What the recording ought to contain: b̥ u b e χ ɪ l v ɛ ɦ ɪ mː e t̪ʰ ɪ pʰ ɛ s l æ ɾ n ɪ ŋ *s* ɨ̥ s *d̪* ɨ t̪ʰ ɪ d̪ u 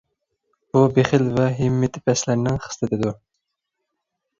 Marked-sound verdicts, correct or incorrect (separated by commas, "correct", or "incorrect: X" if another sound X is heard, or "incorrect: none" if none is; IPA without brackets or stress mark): incorrect: χ, incorrect: t̪